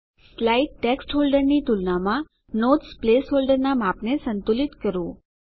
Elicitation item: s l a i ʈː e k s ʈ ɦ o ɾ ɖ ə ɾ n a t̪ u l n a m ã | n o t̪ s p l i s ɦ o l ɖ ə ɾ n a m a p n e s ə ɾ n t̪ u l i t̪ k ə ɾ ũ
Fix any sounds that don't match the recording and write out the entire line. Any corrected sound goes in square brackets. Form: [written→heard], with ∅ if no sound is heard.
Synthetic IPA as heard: s l a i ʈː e k s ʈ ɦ o [ɾ→l] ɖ ə ɾ n [a→i] t̪ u l n a m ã | n o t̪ s p l [i→e] s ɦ o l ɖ ə ɾ n a m a p n e s ə [ɾ→∅] n t̪ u l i t̪ k ə ɾ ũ

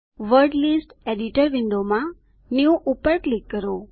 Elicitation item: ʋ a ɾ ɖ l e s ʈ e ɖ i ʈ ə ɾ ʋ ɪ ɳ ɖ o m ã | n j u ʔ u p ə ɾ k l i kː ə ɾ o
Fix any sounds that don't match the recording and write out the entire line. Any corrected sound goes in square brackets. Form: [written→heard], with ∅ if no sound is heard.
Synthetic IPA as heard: ʋ [a→ə] ɾ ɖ l [e→i] s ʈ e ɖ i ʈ ə ɾ ʋ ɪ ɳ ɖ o m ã | n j u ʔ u p ə ɾ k l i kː ə ɾ o

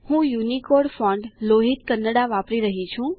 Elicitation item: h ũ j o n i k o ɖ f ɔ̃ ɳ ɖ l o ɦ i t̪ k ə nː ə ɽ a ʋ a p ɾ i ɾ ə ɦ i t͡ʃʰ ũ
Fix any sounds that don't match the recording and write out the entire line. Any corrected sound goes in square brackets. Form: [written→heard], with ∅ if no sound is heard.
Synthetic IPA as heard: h ũ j [o→u] n i k o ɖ f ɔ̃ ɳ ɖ l o ɦ i t̪ k ə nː ə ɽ a ʋ a p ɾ i ɾ ə ɦ i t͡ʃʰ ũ

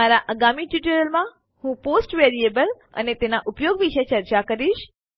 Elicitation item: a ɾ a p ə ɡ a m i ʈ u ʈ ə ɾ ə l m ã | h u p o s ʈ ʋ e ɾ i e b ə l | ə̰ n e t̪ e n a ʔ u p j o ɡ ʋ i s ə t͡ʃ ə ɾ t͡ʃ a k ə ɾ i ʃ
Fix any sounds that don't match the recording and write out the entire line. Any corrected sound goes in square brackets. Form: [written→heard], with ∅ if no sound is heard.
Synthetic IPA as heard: a ɾ a [p→ʔ] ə ɡ a m i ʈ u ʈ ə ɾ ə l m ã | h [u→ũ] p o s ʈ ʋ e ɾ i e b ə l | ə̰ n e t̪ e n a ʔ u p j o ɡ ʋ i [s→ʃ] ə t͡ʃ ə ɾ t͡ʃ a k ə ɾ i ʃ

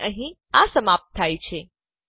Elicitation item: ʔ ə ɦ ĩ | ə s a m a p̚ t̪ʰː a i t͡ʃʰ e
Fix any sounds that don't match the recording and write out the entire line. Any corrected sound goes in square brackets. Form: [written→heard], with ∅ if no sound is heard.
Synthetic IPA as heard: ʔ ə ɦ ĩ | [ə→a] s [a→ə] m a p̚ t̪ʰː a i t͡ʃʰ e

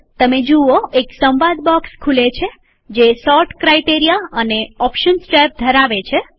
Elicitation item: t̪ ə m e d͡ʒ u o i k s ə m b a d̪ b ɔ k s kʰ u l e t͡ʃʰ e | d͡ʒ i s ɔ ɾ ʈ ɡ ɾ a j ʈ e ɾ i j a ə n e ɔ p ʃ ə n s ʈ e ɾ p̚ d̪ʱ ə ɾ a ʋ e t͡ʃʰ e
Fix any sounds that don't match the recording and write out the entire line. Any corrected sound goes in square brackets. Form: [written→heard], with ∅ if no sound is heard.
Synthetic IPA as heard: t̪ ə m e d͡ʒ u o [i→e] k s ə m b a d̪ b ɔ k s kʰ u l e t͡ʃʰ e | d͡ʒ [i→e] s ɔ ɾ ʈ [ɡ→k] ɾ a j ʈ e ɾ i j a ə n e ɔ p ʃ ə n s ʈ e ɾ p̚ d̪ʱ ə ɾ a ʋ e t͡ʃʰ e

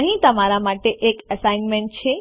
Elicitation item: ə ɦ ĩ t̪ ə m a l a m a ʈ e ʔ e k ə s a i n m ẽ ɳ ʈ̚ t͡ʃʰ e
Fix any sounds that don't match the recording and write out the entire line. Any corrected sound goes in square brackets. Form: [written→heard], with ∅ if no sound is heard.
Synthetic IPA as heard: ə ɦ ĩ t̪ ə m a [l→ɾ] a m a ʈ e ʔ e k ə s a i n m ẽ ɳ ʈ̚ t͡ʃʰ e

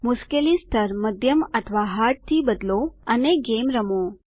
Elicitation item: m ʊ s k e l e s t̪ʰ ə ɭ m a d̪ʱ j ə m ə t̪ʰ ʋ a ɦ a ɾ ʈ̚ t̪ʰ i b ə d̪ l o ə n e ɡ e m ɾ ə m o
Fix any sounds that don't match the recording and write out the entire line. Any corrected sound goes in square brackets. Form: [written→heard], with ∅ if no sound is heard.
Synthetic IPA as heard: m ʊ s k e l [e→i] s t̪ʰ ə [ɭ→ɾ] m [a→ə] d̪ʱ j ə m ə t̪ʰ ʋ a ɦ a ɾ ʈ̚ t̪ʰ i b ə d̪ l o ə n e ɡ e m ɾ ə m o

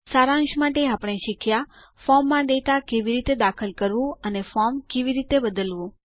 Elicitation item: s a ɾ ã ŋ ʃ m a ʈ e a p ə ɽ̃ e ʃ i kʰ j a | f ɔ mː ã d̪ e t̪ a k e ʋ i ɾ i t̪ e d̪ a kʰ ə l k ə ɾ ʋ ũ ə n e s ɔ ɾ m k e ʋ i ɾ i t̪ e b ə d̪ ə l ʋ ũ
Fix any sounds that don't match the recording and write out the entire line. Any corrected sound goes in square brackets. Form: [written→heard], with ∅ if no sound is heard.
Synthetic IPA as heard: s a ɾ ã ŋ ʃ m a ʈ e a p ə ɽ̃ e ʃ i kʰ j a | f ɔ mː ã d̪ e t̪ a k e ʋ i ɾ i t̪ e d̪ a kʰ ə l k ə ɾ ʋ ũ ə n e [s→f] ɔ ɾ m k e ʋ i ɾ i t̪ e b ə d̪ ə l ʋ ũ

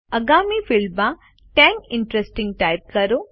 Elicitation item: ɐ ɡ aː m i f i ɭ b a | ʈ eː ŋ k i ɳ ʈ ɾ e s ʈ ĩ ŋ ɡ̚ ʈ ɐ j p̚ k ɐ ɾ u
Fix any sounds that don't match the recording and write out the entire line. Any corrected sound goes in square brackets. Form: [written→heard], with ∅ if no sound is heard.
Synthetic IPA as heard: ɐ ɡ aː m i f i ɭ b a | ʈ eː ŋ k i ɳ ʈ ɾ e s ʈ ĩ ŋ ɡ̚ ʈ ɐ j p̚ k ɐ ɾ u

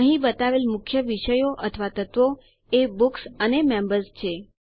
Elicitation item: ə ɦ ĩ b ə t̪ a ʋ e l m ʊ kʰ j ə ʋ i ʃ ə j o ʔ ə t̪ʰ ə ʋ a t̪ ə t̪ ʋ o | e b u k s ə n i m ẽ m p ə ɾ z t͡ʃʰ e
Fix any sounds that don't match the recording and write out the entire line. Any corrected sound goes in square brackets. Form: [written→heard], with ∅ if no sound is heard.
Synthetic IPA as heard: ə ɦ ĩ b ə t̪ a ʋ e l m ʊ kʰ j ə ʋ i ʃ ə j o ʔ ə t̪ʰ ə ʋ a t̪ ə t̪ ʋ o | e b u k s ə n [i→e] m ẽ m [p→b] ə ɾ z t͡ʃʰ e

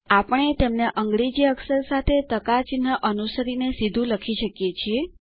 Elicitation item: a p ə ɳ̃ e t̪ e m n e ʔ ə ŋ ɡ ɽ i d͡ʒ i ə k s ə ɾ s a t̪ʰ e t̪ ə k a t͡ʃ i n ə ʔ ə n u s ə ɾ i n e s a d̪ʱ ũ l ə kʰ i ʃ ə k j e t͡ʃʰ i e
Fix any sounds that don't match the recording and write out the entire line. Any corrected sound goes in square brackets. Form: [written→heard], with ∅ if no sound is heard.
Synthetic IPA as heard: a p ə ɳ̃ e t̪ e m n e ʔ ə ŋ ɡ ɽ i d͡ʒ i ə k s ə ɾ s a t̪ʰ e t̪ ə k a t͡ʃ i n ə ʔ ə n u s ə ɾ i n e s [a→i] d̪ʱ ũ l ə kʰ i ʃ ə k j e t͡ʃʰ i e

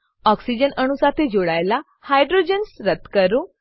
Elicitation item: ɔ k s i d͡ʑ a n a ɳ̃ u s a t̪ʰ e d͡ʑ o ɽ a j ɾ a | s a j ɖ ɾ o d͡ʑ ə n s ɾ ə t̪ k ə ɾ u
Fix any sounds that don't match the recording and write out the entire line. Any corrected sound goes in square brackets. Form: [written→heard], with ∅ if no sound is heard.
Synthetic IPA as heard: ɔ k s i d͡ʑ [a→ə] n [a→ə] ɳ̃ u s a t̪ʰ e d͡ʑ o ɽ a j [ɾ→l] a | [s→h] a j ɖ ɾ o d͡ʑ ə n s ɾ ə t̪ k ə ɾ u

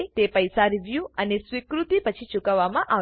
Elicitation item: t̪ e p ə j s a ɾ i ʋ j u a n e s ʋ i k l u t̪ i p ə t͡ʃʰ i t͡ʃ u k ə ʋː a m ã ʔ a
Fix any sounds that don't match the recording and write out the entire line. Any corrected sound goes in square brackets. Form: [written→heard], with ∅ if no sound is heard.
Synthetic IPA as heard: t̪ e p ə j s a ɾ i ʋ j u [a→ə] n e s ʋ i k [l→ɾ] u t̪ i p ə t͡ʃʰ i t͡ʃ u k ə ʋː a m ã ʔ a

